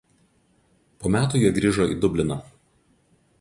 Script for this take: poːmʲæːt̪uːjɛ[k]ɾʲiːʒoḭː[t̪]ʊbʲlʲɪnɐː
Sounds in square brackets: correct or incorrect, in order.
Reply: incorrect, incorrect

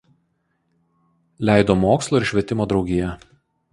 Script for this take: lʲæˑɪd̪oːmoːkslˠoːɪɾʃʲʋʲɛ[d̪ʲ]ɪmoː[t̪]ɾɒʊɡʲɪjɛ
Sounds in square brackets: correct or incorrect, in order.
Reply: incorrect, incorrect

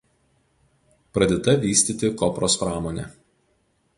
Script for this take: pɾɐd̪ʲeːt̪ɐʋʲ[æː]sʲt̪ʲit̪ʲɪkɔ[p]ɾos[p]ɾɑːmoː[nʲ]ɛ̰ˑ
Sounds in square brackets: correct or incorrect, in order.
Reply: incorrect, correct, correct, correct

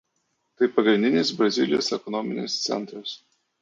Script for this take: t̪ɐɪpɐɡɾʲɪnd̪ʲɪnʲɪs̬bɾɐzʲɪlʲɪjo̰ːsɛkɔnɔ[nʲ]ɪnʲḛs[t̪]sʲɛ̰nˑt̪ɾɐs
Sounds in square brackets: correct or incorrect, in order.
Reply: incorrect, correct

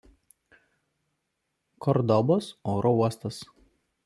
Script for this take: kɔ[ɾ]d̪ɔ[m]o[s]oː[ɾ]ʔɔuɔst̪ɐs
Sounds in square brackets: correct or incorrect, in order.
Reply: correct, incorrect, correct, correct

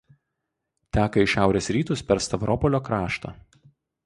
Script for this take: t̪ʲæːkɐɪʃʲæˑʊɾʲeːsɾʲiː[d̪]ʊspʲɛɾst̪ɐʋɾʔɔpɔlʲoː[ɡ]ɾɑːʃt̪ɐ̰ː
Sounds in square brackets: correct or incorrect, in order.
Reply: incorrect, incorrect

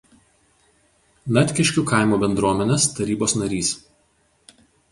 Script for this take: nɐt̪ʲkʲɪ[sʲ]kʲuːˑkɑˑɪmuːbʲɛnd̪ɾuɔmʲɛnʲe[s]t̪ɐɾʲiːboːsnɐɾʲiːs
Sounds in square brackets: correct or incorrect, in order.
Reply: incorrect, correct

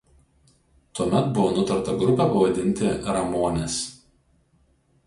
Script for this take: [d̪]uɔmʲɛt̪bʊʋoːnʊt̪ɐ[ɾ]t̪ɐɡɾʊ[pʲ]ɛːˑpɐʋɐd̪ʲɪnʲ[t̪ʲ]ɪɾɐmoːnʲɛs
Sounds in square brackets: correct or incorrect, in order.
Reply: incorrect, correct, correct, correct

